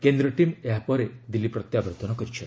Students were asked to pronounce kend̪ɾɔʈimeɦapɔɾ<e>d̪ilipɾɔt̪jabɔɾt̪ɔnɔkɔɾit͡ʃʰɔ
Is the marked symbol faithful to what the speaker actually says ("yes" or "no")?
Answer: yes